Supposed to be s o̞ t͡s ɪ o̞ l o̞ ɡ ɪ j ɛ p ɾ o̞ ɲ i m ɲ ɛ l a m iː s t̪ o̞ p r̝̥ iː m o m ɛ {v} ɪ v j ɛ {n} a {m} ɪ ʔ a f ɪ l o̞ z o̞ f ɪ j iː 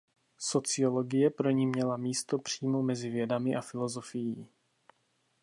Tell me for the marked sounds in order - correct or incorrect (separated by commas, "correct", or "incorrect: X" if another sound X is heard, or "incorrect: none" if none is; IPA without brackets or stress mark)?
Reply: incorrect: z, incorrect: d, correct